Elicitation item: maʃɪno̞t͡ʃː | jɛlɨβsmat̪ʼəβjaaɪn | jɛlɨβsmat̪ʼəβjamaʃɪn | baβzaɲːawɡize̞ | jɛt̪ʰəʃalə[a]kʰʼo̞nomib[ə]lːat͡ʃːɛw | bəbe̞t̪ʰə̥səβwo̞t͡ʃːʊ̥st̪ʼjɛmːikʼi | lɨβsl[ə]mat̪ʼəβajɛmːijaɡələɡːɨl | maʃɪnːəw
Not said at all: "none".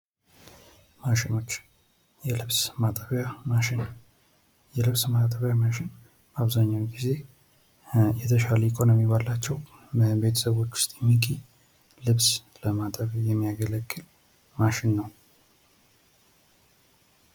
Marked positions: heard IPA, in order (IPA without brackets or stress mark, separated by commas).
i, a, ə